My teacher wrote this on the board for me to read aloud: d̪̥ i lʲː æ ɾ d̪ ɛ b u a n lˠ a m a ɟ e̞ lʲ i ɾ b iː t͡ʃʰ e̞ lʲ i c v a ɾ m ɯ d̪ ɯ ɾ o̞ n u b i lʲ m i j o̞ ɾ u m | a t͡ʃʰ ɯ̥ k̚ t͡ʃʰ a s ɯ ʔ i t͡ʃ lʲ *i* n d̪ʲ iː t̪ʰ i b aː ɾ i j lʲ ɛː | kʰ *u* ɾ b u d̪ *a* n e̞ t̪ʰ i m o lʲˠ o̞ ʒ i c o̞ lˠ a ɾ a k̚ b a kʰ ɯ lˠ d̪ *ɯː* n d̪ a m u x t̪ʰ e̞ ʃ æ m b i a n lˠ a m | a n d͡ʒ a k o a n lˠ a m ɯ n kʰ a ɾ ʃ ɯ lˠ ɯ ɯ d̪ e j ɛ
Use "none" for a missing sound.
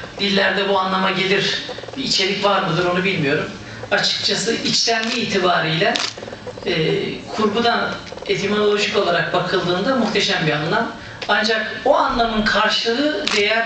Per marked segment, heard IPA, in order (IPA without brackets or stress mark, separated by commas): æ, u, a, ɯː